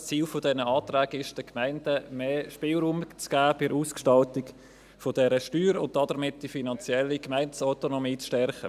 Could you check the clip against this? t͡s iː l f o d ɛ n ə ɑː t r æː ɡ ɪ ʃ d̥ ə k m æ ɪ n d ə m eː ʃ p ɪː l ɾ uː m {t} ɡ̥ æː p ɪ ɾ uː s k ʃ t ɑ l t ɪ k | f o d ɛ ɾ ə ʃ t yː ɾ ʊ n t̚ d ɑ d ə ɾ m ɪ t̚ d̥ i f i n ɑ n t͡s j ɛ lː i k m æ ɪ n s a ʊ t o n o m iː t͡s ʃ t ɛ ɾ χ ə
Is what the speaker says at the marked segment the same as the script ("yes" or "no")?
no